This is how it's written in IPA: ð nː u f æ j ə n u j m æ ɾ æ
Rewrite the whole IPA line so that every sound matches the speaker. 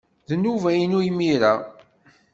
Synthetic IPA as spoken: ð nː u v æ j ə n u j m i ɾ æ